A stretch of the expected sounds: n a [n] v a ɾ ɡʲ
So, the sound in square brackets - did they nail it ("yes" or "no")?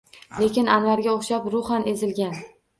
yes